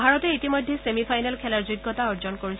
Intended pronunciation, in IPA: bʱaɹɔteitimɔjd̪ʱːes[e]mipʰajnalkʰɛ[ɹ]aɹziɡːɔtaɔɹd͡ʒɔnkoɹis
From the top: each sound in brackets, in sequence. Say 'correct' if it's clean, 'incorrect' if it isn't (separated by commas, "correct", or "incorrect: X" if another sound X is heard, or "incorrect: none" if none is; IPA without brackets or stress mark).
correct, incorrect: l